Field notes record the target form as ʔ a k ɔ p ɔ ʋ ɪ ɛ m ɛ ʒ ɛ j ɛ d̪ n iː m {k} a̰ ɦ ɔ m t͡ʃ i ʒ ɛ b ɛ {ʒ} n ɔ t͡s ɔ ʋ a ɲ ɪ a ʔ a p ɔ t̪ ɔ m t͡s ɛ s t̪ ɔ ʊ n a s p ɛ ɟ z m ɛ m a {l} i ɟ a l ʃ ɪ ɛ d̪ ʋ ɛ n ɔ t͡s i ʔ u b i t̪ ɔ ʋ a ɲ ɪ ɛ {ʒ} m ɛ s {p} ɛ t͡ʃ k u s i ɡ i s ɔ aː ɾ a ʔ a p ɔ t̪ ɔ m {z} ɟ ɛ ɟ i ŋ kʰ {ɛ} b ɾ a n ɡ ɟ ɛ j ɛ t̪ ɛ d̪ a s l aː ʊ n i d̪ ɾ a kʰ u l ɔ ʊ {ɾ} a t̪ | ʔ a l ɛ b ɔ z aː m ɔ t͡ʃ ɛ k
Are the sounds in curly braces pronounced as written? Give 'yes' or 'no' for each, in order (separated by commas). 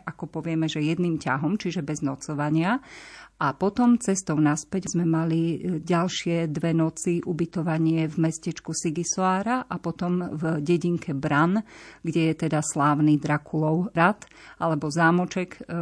no, no, yes, no, no, no, yes, yes